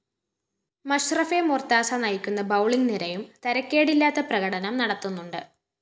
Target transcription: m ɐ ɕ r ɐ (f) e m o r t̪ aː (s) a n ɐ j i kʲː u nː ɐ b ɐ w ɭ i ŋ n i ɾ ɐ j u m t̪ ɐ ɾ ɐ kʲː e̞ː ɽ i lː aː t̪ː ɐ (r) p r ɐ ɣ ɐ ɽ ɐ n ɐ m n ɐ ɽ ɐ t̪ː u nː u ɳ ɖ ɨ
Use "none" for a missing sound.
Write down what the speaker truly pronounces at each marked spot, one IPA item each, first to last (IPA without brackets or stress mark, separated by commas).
f, s, none